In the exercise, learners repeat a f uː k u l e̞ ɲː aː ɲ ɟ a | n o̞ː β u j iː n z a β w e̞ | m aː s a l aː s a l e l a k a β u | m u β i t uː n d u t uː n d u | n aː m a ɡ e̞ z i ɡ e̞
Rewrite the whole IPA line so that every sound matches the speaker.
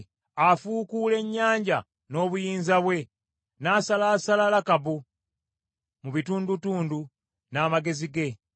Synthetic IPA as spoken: a f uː k u l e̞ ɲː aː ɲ ɟ a | n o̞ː β u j iː n z a β w e̞ | n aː s a l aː s a l a l a k a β u | m u β i t uː n d u t uː n d u | n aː m a ɡ e̞ z i ɡ e̞